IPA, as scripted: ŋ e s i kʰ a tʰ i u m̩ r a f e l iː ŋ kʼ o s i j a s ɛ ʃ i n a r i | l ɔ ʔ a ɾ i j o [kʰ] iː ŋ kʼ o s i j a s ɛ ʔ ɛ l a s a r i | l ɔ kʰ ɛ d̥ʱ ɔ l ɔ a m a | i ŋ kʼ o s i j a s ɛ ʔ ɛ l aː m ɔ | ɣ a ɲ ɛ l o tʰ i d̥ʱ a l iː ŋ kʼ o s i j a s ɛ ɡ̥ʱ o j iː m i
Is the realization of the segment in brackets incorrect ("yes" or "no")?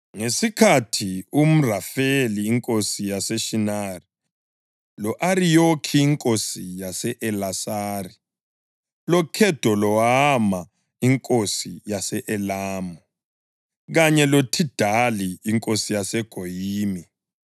no